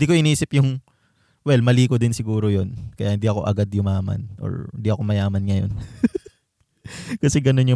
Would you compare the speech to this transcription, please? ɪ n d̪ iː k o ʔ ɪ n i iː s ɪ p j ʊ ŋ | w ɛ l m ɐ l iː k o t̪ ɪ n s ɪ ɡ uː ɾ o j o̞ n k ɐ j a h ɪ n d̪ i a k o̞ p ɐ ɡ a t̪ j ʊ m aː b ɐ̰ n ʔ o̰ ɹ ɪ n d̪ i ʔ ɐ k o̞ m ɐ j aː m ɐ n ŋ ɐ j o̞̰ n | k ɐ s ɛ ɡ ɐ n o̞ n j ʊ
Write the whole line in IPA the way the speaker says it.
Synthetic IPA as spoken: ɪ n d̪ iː k o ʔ ɪ n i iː s ɪ p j ʊ ŋ | w ɛ l m ɐ l iː k o d̪ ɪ n s ɪ ɡ uː ɾ o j o̞ n k ɐ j a h ɪ n d̪ i ɐ k o̞ ʔ ɐ ɡ a d̪ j ʊ m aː m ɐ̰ n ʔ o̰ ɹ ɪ n d̪ i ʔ ɐ k o̞ m ɐ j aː m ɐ n ŋ ɐ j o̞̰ n | k ɐ s ɛ ɡ ɐ n o̞ n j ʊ